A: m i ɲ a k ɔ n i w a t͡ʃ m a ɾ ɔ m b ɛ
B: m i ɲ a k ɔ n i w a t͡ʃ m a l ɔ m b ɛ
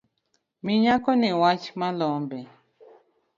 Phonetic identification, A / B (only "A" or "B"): B